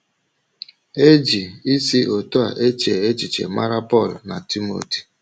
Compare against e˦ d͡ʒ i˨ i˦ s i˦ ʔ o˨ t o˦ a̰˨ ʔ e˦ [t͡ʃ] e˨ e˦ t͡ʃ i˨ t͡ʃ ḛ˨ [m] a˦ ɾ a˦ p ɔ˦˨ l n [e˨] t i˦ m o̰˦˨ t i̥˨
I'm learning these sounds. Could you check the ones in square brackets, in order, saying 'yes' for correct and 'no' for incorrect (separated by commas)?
yes, yes, no